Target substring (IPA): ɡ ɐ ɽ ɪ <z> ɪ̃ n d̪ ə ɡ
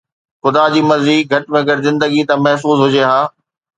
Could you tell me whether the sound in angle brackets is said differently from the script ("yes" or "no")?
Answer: no